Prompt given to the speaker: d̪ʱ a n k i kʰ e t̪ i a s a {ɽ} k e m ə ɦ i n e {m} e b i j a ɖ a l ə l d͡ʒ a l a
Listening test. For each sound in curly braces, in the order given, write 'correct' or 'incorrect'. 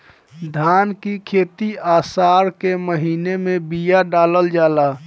incorrect: ɾ, correct

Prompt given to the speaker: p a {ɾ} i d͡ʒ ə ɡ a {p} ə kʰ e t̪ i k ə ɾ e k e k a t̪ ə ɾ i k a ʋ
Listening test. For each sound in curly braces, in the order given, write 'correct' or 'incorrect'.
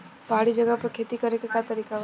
incorrect: ɽ, correct

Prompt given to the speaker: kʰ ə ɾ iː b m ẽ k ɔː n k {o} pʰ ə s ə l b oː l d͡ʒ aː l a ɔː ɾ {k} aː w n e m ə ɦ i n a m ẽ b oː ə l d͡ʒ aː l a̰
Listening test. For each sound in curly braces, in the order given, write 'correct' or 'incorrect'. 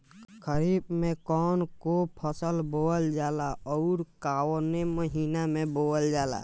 correct, correct

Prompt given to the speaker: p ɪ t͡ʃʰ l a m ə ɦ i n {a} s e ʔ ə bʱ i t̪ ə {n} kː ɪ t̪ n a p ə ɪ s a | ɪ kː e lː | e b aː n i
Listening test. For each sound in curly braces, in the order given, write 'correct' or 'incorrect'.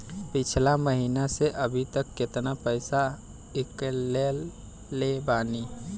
correct, incorrect: none

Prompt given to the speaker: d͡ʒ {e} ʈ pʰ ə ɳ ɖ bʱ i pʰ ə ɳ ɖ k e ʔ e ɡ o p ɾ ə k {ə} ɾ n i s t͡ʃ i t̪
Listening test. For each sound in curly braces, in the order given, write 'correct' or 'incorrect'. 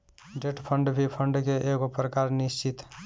correct, incorrect: a

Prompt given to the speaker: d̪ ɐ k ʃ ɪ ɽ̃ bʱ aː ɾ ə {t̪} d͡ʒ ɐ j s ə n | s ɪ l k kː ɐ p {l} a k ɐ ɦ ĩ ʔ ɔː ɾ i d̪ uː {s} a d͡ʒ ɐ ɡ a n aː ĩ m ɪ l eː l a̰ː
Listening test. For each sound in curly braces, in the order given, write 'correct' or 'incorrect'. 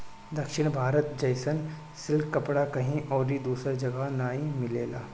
correct, incorrect: ɽ, correct

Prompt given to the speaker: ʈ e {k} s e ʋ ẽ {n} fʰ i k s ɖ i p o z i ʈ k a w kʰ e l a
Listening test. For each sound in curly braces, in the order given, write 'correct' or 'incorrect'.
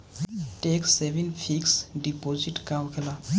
correct, correct

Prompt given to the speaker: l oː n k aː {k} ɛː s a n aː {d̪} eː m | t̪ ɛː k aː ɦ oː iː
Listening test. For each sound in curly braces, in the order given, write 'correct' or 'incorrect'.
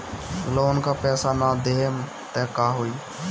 incorrect: p, correct

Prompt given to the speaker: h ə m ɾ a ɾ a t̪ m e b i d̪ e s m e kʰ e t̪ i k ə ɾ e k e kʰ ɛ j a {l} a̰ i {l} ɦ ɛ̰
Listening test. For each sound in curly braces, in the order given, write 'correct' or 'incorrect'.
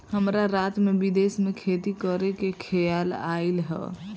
correct, correct

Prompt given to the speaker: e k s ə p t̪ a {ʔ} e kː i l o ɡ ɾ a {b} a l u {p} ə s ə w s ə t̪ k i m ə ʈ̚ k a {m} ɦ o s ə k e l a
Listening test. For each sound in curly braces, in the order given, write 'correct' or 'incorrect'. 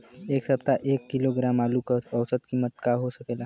correct, incorrect: m, incorrect: k, incorrect: none

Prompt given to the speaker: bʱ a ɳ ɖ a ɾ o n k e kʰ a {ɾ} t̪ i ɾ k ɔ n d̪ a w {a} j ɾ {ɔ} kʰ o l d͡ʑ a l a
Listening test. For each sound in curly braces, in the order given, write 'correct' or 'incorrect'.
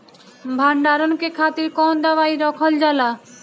incorrect: none, correct, correct

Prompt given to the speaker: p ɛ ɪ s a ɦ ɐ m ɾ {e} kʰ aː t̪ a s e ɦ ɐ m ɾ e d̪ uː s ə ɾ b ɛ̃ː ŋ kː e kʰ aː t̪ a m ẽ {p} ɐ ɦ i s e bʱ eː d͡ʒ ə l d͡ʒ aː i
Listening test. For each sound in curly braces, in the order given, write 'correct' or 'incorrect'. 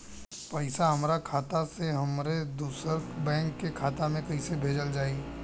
incorrect: a, incorrect: k

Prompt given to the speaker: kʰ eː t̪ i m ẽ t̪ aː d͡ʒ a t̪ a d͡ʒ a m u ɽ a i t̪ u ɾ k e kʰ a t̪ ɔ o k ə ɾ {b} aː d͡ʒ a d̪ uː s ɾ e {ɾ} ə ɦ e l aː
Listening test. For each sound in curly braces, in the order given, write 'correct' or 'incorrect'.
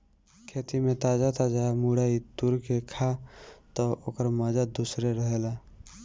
incorrect: m, correct

